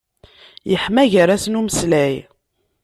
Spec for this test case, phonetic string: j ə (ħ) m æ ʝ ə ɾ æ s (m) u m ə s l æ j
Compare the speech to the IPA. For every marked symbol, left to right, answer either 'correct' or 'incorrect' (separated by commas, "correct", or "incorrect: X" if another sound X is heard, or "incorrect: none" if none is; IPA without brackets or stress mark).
correct, incorrect: n